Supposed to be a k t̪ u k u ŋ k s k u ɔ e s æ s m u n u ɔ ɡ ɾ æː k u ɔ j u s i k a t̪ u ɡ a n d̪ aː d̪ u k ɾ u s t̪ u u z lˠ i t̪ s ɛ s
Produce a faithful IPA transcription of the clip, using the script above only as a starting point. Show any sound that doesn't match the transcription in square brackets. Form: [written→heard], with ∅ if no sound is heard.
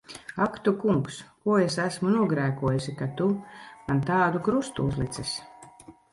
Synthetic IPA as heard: a k t̪ u k u ŋ k s k u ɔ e s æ s m u n u ɔ ɡ ɾ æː k u ɔ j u s i k a t̪ u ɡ a n [d̪→t̪] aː d̪ u k ɾ u s t̪ u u z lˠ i t̪ s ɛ s

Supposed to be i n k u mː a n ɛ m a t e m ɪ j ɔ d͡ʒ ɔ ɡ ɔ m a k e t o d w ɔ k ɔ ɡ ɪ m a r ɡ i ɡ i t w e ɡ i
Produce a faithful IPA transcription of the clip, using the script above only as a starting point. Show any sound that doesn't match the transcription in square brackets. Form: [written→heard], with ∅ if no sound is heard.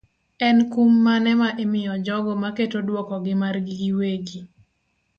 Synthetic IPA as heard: [i→ɛ] n k u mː a n ɛ m a [t→ʔ] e m ɪ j ɔ d͡ʒ ɔ ɡ ɔ m a k e t o d w ɔ k ɔ ɡ ɪ m a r ɡ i ɡ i [t→∅] w e ɡ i

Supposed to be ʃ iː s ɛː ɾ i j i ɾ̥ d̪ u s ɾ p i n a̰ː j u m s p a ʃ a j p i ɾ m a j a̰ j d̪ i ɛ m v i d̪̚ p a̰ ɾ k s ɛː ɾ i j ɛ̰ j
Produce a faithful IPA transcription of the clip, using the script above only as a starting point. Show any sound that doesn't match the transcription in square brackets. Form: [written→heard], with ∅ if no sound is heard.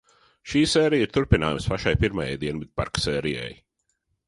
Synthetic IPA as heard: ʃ iː s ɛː ɾ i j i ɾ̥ [d̪→t̪] u [s→∅] ɾ p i n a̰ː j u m s p a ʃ a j p i ɾ m a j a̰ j d̪ i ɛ [m→n] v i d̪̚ p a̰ ɾ k s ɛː ɾ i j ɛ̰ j

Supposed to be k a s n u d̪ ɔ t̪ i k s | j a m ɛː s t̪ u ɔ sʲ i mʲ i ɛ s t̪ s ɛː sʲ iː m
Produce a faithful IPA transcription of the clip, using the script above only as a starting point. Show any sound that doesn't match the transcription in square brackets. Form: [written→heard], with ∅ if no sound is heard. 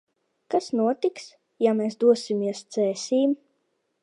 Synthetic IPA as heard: k a s n u [d̪→∅] ɔ t̪ i k s | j a m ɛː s [t̪→d̪] u ɔ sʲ i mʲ i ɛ s t̪ s ɛː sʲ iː m

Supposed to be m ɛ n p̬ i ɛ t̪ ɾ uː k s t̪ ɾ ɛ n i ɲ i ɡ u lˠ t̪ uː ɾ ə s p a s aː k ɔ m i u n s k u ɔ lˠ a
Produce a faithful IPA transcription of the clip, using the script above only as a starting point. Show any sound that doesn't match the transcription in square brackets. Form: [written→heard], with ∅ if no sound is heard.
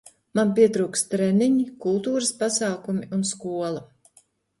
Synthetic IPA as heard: m [ɛ→a] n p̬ i ɛ t̪ ɾ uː k s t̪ ɾ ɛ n i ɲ i [ɡ→k] u lˠ t̪ uː ɾ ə s p a s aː k [ɔ→u] m i u n s k u ɔ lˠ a

